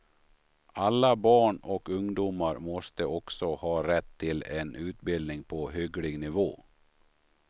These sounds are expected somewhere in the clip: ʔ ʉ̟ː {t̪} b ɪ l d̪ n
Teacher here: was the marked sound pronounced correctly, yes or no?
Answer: yes